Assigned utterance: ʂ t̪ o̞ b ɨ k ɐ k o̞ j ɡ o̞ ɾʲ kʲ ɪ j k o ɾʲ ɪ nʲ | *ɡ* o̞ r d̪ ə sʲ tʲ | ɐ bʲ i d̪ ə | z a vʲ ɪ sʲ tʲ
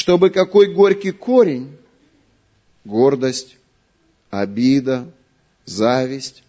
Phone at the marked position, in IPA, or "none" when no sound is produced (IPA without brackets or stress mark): ɡ